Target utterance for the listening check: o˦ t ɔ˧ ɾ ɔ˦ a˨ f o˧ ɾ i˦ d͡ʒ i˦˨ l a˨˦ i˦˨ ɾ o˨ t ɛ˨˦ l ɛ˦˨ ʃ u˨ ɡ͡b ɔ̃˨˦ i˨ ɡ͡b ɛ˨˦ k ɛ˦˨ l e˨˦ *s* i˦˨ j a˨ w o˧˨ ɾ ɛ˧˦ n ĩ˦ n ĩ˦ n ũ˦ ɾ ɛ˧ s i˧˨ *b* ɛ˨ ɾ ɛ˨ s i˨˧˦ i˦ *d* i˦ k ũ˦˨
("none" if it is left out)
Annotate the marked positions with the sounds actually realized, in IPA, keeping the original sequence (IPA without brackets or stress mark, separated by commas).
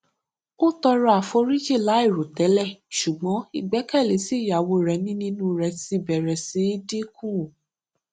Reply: s, b, d